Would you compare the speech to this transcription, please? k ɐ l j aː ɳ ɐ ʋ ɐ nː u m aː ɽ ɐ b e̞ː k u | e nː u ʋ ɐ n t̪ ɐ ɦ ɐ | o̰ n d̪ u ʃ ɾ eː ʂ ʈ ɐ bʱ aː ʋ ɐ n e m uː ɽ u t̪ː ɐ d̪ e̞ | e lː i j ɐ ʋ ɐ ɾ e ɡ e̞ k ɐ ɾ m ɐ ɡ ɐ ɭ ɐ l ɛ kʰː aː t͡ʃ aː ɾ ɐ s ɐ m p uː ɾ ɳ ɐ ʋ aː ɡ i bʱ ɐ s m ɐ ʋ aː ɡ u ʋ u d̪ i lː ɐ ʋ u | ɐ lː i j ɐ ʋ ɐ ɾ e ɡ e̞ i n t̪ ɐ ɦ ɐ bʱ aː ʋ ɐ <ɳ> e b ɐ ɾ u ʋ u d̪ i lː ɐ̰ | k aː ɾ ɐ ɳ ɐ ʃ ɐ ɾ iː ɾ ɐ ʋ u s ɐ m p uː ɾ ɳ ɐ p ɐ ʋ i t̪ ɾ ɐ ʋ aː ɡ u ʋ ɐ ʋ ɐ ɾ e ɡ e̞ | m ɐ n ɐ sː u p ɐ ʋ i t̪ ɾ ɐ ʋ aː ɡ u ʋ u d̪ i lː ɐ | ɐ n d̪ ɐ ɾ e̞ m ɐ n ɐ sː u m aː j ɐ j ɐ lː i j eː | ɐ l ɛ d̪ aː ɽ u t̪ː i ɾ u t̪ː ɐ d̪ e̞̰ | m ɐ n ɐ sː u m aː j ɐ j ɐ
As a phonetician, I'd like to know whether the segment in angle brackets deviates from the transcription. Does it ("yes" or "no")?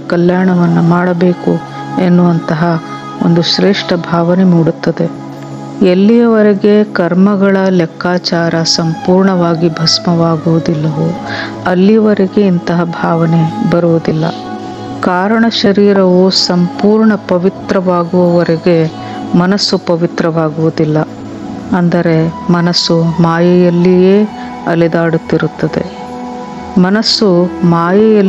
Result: yes